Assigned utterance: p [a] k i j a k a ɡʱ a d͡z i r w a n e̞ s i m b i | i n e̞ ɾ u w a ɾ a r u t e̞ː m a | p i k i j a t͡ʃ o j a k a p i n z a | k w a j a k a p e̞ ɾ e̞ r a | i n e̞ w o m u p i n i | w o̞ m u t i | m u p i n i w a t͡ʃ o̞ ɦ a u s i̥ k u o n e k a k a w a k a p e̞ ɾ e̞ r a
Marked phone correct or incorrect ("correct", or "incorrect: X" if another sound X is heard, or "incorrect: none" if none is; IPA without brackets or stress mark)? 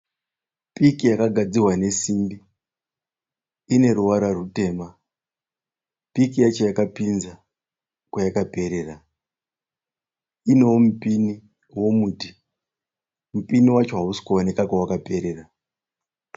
incorrect: i